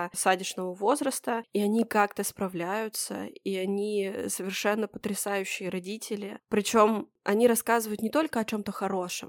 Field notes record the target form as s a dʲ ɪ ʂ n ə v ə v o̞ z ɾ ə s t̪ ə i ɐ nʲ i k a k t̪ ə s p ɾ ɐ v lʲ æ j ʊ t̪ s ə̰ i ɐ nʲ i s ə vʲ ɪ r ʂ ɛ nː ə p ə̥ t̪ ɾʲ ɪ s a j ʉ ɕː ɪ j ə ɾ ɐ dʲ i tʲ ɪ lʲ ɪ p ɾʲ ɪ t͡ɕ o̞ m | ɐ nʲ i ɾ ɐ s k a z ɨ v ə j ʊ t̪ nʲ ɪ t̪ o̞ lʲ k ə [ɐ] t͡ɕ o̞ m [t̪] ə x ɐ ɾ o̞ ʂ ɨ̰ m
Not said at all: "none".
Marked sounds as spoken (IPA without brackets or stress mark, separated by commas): ɐ, t̪